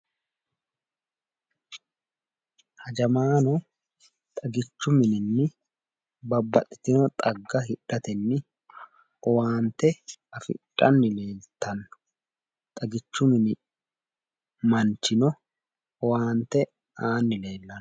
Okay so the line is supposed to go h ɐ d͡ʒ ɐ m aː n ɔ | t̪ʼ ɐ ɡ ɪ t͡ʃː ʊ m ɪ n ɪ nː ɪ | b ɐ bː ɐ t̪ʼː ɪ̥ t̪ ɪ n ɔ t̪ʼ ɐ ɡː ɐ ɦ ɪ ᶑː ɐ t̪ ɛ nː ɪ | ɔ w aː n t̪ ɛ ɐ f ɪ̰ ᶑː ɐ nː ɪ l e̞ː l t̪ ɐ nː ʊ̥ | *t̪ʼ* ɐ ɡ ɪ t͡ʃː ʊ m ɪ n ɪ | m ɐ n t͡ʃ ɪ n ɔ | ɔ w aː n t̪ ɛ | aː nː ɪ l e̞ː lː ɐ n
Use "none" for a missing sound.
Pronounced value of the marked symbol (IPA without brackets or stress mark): t̪ʼ